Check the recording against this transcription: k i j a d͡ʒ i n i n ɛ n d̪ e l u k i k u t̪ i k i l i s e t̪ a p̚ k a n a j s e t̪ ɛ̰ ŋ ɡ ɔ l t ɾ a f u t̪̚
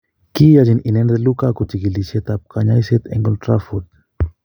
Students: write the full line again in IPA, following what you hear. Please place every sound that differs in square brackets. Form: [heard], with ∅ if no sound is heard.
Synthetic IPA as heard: k i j a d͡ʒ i n i n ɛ n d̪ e l u k [a] k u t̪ i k i l i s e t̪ a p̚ k a [ɲ] a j s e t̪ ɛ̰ ŋ ɡ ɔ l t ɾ a f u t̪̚